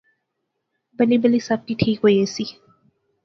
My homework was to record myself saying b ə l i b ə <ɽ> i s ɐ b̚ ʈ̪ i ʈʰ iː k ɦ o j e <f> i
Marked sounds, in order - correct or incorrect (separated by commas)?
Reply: incorrect, incorrect